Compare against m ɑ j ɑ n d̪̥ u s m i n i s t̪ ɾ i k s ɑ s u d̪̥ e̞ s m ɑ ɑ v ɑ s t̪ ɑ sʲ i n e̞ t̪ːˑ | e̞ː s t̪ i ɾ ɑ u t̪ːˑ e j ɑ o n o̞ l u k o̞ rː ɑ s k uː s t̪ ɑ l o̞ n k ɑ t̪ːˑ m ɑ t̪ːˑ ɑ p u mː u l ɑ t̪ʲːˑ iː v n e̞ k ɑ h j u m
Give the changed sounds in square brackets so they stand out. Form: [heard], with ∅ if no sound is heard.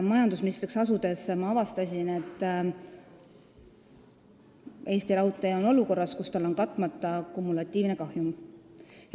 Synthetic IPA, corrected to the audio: m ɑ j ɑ n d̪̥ u s m i n i s t̪ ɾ i k s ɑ s u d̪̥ e̞ s m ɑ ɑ v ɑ s t̪ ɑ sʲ i n e̞ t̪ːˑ | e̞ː s t̪ i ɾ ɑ u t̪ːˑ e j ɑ o n o̞ l u k o̞ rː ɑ s k [u] s t̪ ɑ l o̞ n k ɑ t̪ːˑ m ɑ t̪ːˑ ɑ [k] u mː u l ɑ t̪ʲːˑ iː v n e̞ k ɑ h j u m